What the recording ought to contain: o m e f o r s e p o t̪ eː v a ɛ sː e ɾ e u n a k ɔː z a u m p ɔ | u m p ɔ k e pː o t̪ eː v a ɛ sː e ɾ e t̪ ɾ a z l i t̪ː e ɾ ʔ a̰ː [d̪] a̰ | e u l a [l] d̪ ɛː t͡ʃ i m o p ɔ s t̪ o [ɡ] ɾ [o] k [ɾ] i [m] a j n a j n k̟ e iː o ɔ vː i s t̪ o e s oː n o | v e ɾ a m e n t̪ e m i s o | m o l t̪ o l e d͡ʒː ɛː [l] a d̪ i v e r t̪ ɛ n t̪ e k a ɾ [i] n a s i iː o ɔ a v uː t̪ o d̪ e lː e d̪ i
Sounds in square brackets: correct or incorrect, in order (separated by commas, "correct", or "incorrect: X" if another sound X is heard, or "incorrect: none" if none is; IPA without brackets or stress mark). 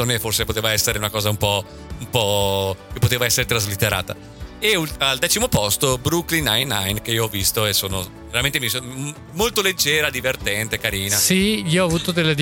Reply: incorrect: t̪, correct, incorrect: b, incorrect: u, incorrect: l, incorrect: n, incorrect: ɾ, incorrect: iː